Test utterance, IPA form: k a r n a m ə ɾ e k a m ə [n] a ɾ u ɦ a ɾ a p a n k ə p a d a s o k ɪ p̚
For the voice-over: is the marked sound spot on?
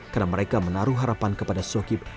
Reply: yes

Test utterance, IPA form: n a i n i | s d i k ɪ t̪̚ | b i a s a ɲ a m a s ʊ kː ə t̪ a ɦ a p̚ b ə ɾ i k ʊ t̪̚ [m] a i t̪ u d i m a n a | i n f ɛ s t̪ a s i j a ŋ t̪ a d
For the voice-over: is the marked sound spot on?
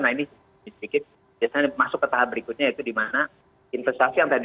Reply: no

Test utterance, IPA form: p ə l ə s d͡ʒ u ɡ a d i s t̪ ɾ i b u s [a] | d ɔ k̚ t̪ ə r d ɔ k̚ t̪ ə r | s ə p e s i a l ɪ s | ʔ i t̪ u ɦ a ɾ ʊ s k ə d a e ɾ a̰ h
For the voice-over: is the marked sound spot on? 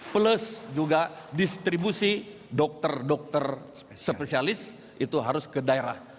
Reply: no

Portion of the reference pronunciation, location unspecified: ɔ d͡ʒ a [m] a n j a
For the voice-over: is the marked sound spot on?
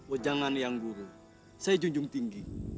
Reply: no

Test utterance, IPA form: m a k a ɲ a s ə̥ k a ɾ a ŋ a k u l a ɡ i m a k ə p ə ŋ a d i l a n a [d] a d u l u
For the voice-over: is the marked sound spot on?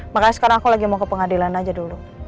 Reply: no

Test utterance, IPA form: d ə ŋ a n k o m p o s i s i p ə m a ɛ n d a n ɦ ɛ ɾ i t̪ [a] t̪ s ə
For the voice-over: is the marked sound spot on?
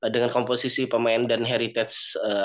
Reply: no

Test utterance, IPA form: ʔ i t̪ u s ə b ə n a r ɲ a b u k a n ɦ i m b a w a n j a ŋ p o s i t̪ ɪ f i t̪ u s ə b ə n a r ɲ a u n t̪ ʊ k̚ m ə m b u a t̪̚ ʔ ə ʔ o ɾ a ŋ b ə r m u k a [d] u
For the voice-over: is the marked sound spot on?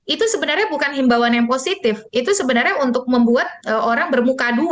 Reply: yes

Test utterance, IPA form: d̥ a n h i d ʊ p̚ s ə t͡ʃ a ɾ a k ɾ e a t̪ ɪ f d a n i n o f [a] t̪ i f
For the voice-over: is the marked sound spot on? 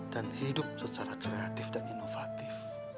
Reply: yes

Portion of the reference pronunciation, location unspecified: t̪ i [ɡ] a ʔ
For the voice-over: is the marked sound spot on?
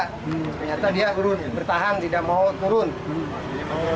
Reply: no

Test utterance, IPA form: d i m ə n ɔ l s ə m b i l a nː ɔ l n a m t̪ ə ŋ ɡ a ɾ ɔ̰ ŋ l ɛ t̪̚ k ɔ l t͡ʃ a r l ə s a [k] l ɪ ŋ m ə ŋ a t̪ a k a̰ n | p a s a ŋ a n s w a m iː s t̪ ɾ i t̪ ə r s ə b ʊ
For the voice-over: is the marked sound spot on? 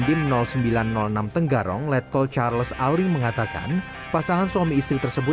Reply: no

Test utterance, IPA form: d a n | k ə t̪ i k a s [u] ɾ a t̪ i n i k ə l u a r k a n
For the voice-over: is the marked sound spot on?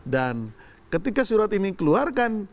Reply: yes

